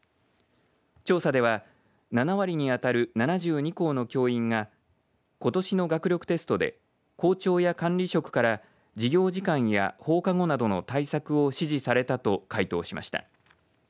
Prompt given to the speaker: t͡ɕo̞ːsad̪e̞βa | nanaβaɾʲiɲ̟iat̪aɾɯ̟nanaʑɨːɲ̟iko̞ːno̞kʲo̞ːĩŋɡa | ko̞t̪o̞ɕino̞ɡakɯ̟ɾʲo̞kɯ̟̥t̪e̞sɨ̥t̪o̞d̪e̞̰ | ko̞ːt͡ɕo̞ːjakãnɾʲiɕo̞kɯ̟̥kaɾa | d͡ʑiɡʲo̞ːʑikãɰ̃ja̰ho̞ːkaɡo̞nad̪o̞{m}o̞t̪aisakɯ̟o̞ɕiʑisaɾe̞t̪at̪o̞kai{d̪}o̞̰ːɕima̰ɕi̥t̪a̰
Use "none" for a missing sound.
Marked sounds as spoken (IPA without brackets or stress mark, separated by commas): n, t̪